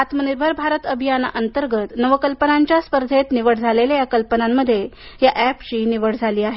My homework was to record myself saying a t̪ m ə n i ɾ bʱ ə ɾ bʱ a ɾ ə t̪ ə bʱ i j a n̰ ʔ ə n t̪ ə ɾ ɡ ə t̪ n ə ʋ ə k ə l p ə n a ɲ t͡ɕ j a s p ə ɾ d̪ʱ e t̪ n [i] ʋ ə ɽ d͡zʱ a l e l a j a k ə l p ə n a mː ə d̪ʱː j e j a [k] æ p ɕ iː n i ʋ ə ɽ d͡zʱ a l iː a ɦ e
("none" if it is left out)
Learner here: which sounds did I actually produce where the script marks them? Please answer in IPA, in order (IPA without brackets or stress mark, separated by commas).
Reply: i, ʔ